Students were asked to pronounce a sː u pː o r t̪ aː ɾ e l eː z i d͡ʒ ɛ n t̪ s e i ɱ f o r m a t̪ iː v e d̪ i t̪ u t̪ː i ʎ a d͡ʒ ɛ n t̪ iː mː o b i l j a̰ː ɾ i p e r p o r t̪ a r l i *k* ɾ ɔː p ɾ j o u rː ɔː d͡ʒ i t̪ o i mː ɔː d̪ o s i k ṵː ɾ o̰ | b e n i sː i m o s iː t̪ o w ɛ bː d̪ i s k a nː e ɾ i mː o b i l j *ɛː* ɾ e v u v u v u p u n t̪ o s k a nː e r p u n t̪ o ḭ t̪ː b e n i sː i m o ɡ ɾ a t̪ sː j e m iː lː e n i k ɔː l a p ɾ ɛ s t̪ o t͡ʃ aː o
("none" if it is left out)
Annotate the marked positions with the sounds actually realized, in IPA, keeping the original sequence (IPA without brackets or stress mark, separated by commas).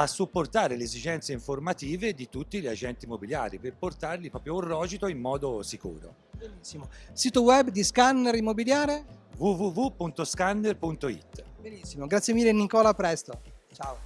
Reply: p, aː